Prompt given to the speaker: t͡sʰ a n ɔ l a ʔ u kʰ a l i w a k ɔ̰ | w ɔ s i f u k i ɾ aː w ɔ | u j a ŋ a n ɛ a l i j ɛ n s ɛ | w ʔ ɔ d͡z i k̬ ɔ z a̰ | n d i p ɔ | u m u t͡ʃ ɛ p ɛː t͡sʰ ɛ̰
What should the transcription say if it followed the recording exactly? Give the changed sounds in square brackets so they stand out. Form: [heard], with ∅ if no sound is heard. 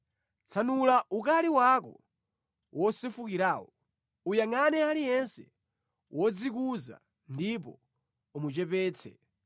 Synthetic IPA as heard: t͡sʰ a n [u] l a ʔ u [k] a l i w a k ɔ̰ | w ɔ s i f u k i ɾ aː w ɔ | u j a ŋ a n ɛ a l i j ɛ n s ɛ | w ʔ ɔ d͡z i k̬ [u] z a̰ | n d i p ɔ | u m u t͡ʃ ɛ p ɛː t͡sʰ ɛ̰

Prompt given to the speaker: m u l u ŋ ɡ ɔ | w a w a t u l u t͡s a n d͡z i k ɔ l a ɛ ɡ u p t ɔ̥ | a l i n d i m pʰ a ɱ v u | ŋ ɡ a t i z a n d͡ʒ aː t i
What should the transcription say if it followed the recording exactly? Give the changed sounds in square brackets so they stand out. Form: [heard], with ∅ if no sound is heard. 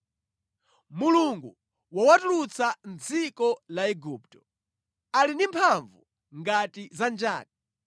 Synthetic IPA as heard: m u l u ŋ ɡ [u] | w a w a t u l u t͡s a n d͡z i k ɔ l a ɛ ɡ u p t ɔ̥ | a l i n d i m pʰ a ɱ v u | ŋ ɡ a t i z a n d͡ʒ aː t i

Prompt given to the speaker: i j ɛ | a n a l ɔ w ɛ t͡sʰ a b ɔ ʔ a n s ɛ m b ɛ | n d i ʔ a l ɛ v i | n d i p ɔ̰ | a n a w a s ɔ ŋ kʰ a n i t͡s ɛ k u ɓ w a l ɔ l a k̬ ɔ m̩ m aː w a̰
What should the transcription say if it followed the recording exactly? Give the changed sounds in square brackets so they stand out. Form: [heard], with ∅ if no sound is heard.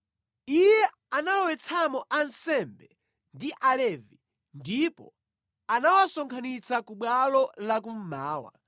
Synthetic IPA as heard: i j ɛ | a n a l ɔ w ɛ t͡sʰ a [m] ɔ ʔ a n s ɛ m b ɛ | n d i ʔ a l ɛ v i | n d i p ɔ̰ | a n a w a s ɔ ŋ kʰ a n i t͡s [a] k u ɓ w a l ɔ l a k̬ [u] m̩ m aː w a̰

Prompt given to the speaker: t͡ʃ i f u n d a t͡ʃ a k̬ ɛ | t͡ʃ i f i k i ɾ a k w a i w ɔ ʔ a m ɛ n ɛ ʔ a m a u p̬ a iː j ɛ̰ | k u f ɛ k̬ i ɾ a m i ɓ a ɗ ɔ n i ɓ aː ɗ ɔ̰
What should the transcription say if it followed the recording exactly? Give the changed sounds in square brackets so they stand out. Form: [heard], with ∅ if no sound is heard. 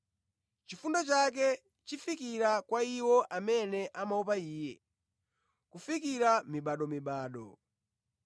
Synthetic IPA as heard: t͡ʃ i f u n d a t͡ʃ a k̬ ɛ | t͡ʃ i f i k i ɾ a k w a i w ɔ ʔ a m ɛ n ɛ ʔ a m a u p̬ a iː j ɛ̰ | k u f [i] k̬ i ɾ a m i ɓ a ɗ ɔ [m] i ɓ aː ɗ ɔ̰

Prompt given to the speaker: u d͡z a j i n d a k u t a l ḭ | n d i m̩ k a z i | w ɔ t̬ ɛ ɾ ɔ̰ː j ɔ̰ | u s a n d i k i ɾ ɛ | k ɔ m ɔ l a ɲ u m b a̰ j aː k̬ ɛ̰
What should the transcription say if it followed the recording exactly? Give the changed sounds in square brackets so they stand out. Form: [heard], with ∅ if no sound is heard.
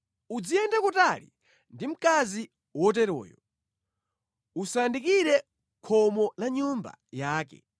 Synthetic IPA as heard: u d͡z [i] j [ɛ] n d a k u t a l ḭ | n d i m̩ k a z i | w ɔ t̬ ɛ ɾ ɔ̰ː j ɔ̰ | u s a n d i k i ɾ ɛ | [kʰ] ɔ m ɔ l a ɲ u m b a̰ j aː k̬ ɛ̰

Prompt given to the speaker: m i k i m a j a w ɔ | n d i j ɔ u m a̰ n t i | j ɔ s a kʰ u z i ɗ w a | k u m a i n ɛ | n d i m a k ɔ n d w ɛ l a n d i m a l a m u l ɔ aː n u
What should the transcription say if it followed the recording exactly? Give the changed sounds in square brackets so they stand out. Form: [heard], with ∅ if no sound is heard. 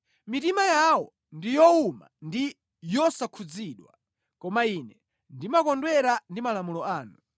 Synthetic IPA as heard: m i [t] i m a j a w ɔ | n d i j ɔ u m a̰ n [d] i | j ɔ s a kʰ u [d͡z] i ɗ w a | k [ɔ] m a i n ɛ | n d i m a k ɔ n d w ɛ [ɾ] a n d i m a l a m u l ɔ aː n u

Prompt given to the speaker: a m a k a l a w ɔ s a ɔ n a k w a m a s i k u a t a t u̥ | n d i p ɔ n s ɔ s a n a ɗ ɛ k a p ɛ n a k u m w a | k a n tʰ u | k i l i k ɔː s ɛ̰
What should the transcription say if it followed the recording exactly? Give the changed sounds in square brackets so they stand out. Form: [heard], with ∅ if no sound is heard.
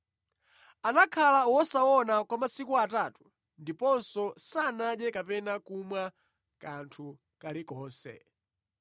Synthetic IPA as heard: a [n] a [kʰ] a l a w ɔ s a ɔ n a k w a m a s i k u a t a t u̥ | n d i p ɔ n s ɔ s a n a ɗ ɛ k a p ɛ n a k u m w a | k a n tʰ u | k [a] l i k ɔː s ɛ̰

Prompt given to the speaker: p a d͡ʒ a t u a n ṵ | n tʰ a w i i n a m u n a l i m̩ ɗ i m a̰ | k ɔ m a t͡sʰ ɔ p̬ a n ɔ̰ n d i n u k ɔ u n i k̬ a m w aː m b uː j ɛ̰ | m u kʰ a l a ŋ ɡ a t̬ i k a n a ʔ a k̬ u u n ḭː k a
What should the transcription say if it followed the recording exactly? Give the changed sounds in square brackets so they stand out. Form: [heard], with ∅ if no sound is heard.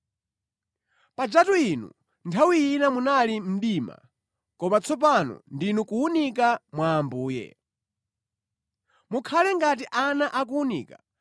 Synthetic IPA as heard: p a d͡ʒ a t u [i] n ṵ | n tʰ a w i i n a m u n a l i m̩ ɗ i m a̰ | k ɔ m a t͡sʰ ɔ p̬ a n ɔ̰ n d i n u k [u] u n i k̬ a m w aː m b uː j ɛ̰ | m u kʰ a l [ɛ] ŋ ɡ a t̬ i [ʔ] a n a ʔ a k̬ u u n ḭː k a

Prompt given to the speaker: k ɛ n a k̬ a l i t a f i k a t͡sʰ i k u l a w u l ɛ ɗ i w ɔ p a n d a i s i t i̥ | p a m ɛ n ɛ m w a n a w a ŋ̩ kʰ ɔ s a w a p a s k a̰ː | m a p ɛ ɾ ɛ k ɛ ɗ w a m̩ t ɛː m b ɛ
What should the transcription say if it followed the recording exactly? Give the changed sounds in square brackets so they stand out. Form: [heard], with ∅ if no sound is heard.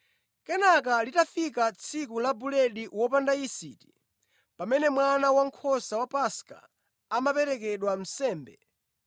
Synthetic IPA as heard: k ɛ n a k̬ a l i t a f i k a t͡sʰ i k u l a [b] u l ɛ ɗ i w ɔ p a n d a i s i t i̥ | p a m ɛ n ɛ m w a n a w a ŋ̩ kʰ ɔ s a w a p a s k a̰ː | m a p ɛ ɾ ɛ k ɛ ɗ w a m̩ [s] ɛː m b ɛ

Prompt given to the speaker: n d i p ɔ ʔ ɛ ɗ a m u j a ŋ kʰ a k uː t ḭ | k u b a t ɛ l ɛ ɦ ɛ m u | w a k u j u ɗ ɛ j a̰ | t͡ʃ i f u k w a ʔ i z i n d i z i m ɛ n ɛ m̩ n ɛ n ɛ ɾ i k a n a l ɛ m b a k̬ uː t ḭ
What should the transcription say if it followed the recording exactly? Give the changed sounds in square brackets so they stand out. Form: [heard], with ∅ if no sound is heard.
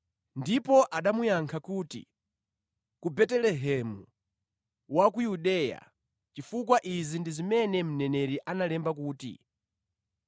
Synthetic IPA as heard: n d i p ɔ ʔ [a] ɗ a m u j a ŋ kʰ a k uː t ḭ | k u b [ɛ] t ɛ l ɛ ɦ ɛ m u | w a k u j u ɗ ɛ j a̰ | t͡ʃ i f u k w a ʔ i z i n d i z i m ɛ n ɛ m̩ n ɛ n ɛ ɾ i [ʔ] a n a l ɛ m b a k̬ uː t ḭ

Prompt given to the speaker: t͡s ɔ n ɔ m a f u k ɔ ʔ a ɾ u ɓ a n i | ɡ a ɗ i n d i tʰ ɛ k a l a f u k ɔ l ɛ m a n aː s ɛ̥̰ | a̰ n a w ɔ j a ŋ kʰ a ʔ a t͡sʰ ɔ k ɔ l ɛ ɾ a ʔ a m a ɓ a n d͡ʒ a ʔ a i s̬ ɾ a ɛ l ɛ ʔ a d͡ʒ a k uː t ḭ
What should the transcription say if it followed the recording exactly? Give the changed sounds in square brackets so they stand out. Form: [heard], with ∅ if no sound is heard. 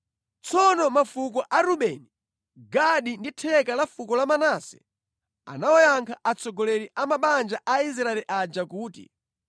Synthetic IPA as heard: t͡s ɔ n ɔ m a f u k ɔ ʔ a ɾ u ɓ [ɛ] n i | ɡ a ɗ i n d i tʰ ɛ k a l a f u k ɔ l [a] m a n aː s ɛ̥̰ | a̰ n a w ɔ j a ŋ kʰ a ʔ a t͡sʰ ɔ [ɡ] ɔ l ɛ ɾ [i] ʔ a m a ɓ a n d͡ʒ a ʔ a i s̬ ɾ a ɛ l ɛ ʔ a d͡ʒ a k uː t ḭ

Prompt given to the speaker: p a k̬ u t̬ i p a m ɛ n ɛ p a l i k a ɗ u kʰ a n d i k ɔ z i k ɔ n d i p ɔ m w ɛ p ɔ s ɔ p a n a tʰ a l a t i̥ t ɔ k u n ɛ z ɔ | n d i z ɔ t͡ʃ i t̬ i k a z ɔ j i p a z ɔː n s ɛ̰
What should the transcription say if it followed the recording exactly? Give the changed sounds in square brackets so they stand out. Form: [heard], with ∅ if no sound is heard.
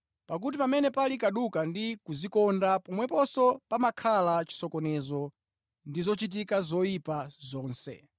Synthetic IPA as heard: p a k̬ u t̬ i p a m ɛ n ɛ p a l i k a ɗ u [k] a n d i k [u] z i k ɔ n d [a] p ɔ m w ɛ p ɔ s ɔ p a [m] a [kʰ] a l a [t͡ʃ] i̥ [s] ɔ k [ɔ] n ɛ z ɔ | n d i z ɔ t͡ʃ i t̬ i k a z ɔ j i p a z ɔː n s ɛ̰

